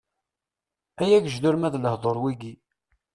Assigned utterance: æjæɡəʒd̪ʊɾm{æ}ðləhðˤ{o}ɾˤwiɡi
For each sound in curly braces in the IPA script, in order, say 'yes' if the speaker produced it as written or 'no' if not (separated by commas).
yes, yes